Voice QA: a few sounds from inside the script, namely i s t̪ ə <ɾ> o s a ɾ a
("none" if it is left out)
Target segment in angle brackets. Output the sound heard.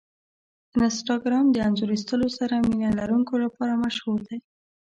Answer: l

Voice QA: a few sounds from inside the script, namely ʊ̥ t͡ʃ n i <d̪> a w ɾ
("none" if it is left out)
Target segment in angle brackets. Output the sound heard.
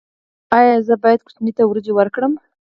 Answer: t̪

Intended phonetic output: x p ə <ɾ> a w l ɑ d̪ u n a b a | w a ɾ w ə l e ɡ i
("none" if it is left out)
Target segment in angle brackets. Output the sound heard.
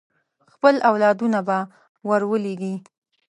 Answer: l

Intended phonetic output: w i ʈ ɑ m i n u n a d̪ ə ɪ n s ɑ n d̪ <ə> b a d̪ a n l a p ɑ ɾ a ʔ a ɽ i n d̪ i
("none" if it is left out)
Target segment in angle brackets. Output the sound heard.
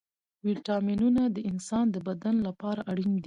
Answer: ə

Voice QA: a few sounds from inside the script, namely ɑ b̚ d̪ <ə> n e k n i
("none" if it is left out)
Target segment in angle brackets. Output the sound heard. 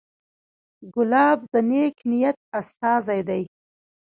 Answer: ə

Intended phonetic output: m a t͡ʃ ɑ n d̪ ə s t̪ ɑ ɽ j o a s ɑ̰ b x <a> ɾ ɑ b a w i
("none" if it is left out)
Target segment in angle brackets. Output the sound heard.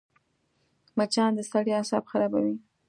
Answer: a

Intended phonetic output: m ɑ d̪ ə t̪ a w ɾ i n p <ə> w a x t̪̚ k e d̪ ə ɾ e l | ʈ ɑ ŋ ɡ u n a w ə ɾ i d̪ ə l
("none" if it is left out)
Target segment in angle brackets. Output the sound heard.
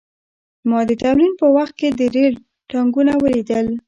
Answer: ə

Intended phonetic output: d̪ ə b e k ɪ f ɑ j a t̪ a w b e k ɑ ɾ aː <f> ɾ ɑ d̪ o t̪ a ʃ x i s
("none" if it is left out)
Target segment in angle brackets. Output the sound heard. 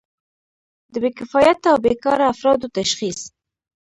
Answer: f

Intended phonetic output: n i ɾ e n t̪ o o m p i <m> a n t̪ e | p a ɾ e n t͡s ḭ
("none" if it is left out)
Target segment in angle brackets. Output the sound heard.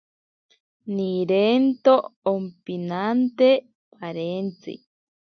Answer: n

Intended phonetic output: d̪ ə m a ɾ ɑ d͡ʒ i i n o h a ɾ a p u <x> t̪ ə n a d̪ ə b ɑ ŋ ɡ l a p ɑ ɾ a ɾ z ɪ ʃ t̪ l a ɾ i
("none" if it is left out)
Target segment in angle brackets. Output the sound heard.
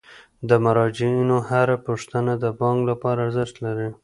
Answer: ʂ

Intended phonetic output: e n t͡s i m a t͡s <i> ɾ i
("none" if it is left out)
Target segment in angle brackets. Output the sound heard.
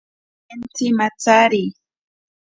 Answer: a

